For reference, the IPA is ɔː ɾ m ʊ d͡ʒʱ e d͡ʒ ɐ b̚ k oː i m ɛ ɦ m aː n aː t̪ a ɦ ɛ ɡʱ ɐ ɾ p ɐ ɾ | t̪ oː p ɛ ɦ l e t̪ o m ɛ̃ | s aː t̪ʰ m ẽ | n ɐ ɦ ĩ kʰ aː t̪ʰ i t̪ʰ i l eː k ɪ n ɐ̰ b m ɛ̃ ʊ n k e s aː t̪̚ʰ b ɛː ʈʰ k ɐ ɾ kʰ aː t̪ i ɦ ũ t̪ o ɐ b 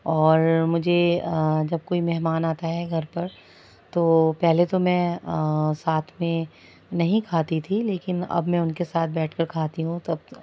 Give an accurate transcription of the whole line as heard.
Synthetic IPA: ɔː ɾ m ʊ d͡ʒʱ e d͡ʒ ɐ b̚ k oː i m ɛ ɦ m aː n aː t̪ a ɦ ɛ ɡʱ ɐ ɾ p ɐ ɾ | t̪ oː p ɛ ɦ l e t̪ o m ɛ̃ | s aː t̪ʰ m ẽ | n ɐ ɦ ĩ kʰ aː t̪ i t̪ʰ i l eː k ɪ n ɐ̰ b m ɛ̃ ʊ n k e s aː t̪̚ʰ b ɛː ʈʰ k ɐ ɾ kʰ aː t̪ i ɦ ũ t̪ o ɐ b